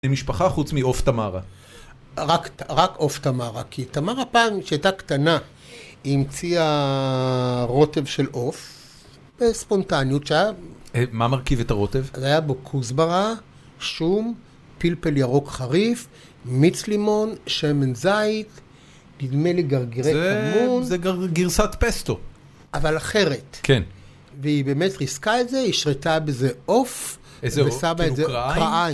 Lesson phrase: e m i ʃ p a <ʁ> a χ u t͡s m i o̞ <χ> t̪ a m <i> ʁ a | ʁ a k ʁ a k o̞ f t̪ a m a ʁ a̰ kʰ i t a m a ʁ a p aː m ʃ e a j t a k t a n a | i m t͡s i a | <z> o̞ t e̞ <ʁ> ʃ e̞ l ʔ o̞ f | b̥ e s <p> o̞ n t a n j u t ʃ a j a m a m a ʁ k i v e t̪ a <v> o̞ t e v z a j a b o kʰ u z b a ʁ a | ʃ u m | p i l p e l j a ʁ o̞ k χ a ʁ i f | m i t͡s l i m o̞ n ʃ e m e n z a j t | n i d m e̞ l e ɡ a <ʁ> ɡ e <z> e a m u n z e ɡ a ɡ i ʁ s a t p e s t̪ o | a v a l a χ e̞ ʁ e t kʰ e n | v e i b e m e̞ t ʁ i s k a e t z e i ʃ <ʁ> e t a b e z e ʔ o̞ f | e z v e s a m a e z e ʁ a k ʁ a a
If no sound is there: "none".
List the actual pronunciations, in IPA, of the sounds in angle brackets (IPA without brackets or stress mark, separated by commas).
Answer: χ, f, a, ʁ, v, p, ʁ, ʁ, ʁ, ʁ